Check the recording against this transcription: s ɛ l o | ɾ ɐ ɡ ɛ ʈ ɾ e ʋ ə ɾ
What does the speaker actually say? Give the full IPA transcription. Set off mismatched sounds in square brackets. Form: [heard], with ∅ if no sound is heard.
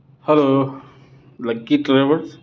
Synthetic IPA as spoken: [h] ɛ l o | [l] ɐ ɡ [i] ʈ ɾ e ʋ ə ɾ